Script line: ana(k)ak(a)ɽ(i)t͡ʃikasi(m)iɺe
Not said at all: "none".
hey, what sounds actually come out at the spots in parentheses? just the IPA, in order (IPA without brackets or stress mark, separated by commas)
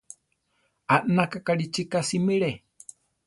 k, a, i, m